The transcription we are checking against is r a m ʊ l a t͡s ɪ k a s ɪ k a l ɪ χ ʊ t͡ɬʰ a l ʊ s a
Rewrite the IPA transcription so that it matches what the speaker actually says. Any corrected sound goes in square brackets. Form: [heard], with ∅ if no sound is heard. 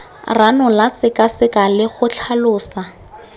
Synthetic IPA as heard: r a [n] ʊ l a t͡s ɪ k a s ɪ k a l ɪ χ ʊ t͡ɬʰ a l [ʊː] s a